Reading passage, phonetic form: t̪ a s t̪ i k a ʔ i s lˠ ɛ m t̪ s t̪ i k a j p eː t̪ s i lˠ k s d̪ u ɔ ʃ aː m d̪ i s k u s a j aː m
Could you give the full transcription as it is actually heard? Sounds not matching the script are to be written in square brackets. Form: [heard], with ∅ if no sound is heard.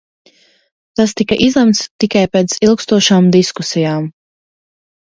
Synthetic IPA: t̪ a s t̪ i k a ʔ i [z] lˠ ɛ m t̪ s t̪ i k a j p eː t̪ s i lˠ k s [t̪] u ɔ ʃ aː m d̪ i s k u s [i] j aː m